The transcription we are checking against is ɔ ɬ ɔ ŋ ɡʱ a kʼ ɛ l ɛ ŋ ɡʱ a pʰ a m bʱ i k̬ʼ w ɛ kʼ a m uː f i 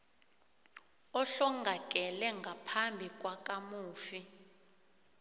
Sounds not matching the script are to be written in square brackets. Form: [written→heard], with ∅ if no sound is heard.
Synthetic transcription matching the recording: ɔ ɬ ɔ ŋ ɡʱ a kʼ ɛ l ɛ ŋ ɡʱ a pʰ a m bʱ i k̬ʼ w [ɛ→a] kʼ a m uː f i